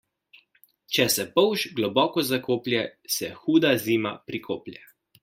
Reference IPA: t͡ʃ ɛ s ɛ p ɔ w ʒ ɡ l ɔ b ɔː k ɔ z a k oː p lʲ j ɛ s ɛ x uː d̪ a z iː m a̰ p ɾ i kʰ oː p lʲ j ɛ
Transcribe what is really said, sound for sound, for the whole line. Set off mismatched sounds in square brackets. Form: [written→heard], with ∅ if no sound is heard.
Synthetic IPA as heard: t͡ʃ ɛ s ɛ p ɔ w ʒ ɡ l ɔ b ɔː k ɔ z a k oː p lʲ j ɛ s ɛ x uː d̪ a z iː m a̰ p ɾ i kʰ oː p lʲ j ɛ